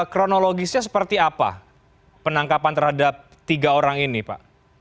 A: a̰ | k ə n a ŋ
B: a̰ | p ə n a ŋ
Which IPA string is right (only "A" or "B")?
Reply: B